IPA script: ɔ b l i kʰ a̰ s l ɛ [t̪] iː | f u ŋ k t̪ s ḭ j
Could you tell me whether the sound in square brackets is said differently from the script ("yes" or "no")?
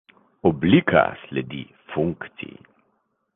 yes